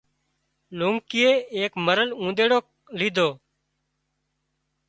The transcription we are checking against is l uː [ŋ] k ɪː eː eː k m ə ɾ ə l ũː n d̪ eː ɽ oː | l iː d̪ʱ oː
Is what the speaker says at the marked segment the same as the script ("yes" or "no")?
yes